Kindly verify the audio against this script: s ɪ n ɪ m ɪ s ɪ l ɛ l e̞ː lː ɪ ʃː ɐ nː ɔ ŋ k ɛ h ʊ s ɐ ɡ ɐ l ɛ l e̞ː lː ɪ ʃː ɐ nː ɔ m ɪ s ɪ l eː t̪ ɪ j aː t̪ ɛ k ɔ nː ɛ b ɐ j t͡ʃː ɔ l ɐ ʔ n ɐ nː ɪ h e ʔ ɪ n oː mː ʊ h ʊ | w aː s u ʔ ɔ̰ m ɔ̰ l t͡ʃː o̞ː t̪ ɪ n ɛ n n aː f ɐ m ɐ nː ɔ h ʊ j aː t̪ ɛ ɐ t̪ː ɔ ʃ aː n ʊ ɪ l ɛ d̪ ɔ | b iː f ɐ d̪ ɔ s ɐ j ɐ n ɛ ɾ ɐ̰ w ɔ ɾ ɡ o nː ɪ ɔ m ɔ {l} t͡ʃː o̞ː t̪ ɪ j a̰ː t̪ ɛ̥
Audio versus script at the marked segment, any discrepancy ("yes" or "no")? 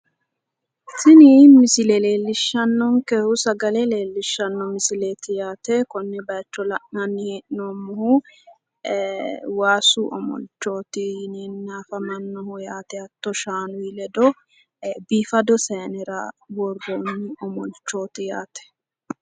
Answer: no